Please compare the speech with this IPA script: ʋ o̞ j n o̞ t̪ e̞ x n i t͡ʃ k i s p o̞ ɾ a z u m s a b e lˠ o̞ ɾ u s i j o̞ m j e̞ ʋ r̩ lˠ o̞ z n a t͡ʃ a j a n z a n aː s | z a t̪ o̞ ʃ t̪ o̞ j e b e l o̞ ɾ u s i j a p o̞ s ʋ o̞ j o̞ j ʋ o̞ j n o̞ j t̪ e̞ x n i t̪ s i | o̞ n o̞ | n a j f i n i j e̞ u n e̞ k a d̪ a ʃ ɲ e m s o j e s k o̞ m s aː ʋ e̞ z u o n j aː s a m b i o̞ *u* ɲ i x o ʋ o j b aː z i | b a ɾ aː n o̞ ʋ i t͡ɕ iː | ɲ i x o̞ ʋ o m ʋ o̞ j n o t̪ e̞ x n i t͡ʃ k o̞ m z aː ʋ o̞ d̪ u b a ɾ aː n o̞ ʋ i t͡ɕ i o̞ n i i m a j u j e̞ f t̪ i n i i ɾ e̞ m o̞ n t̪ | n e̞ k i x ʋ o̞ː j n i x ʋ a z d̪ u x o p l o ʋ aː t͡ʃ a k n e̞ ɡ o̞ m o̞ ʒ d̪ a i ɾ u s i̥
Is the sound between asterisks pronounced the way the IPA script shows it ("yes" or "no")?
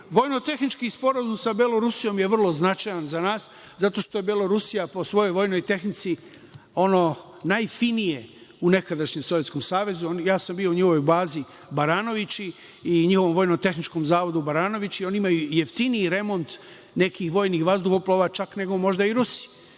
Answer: yes